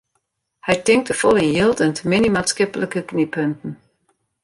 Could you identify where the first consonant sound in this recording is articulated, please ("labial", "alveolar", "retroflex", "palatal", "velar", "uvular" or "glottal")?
glottal